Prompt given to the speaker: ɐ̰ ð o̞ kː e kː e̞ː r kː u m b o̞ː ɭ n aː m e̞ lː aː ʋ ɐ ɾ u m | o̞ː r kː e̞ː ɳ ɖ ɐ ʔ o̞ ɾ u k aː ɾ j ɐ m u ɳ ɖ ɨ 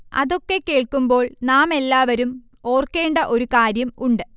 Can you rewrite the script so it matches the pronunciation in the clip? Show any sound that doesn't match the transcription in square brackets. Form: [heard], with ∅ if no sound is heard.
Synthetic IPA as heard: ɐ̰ ð o̞ kː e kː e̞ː [ɭ] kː u m b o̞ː ɭ n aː m e̞ lː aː ʋ ɐ ɾ u m | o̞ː r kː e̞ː ɳ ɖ ɐ ʔ o̞ ɾ u k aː ɾ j ɐ m u ɳ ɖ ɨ